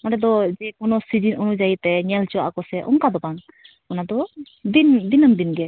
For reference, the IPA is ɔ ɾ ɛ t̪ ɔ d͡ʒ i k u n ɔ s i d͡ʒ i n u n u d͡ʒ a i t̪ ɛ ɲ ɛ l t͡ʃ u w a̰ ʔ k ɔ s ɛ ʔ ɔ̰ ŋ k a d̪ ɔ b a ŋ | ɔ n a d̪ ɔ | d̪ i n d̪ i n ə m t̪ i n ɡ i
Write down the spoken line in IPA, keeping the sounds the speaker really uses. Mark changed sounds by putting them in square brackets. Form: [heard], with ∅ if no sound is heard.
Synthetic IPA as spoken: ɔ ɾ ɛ [d̪] ɔ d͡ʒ [ɛ] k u n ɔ s i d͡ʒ i n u n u d͡ʒ a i t̪ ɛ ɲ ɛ l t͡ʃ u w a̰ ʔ k ɔ s ɛ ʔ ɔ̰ ŋ k a d̪ ɔ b a ŋ | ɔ n a d̪ ɔ | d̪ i n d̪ i n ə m [d̪] i n ɡ [ɛ]